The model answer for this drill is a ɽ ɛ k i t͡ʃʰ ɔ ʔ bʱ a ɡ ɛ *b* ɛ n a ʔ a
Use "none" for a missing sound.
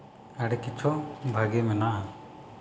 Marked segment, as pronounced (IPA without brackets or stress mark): m